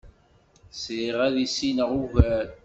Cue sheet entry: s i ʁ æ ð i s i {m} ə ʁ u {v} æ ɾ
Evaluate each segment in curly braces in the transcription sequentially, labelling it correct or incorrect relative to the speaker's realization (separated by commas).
incorrect, correct